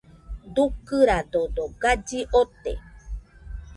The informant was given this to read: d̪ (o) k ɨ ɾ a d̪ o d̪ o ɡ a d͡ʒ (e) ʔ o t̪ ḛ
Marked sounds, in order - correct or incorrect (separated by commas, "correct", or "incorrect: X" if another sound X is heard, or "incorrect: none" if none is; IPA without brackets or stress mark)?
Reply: incorrect: u, incorrect: i